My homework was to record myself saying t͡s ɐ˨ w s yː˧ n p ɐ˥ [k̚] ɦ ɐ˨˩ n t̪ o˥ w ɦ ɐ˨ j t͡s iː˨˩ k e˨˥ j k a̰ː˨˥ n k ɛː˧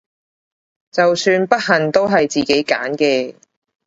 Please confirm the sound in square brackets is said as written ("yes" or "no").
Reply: no